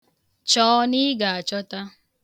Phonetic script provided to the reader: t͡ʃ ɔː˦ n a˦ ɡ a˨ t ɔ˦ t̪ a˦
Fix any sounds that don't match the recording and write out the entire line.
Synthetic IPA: t͡ʃ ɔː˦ n i˦ ɡ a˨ t͡ʃ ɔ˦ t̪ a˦

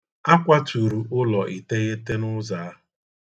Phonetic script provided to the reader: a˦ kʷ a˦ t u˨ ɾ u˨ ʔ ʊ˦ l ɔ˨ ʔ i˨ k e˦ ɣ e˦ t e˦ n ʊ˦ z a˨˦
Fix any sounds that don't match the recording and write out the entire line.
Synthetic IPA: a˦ kʷ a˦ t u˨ ɾ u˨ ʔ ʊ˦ l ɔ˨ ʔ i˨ t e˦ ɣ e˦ t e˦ n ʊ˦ z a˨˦

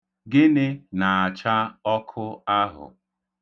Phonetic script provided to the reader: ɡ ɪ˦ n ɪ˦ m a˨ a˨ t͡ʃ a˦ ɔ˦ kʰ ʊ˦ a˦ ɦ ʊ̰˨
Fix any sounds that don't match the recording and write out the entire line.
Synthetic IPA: ɡ ɪ˦ n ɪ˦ n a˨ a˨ t͡ʃ a˦ ɔ˦ kʰ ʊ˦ a˦ ɦ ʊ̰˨

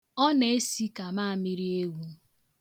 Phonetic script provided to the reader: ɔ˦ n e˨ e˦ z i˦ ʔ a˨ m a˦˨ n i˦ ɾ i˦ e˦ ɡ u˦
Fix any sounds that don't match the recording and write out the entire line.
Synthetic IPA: ɔ˦ n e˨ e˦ s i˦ k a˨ m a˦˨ m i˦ ɾ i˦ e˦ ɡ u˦

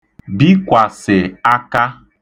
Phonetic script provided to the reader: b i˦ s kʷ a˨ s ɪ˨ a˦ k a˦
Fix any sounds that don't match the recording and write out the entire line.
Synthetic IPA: b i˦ kʷ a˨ s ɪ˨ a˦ k a˦

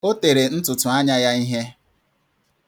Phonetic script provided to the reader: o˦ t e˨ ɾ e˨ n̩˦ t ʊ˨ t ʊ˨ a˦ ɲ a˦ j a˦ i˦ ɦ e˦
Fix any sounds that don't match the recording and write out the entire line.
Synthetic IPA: o˦ t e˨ ɾ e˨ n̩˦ t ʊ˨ t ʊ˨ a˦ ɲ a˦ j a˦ i˦ ɦ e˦

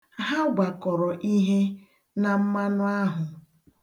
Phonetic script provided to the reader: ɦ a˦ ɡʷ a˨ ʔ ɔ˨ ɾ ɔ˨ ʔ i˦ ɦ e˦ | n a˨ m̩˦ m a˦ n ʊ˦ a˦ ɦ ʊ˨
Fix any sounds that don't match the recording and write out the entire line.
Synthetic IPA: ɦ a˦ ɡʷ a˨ k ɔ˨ ɾ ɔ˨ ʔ i˦ ɦ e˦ | n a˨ m̩˦ m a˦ n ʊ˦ a˦ ɦ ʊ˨

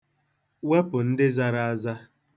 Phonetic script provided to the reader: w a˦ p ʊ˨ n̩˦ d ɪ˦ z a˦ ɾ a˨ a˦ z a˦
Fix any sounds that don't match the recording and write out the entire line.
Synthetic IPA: w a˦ p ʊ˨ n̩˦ d ɪ˦ z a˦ ɾ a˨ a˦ z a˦

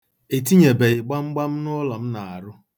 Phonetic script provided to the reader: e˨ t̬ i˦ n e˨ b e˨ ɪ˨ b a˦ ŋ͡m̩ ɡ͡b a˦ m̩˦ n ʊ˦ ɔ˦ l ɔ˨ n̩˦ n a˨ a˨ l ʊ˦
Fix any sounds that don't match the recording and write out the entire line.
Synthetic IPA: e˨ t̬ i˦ ɲ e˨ b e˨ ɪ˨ ɡ͡b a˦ ŋ͡m̩ ɡ͡b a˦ m̩˦ n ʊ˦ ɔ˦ l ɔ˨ m̩˦ n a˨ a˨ ɾ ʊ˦

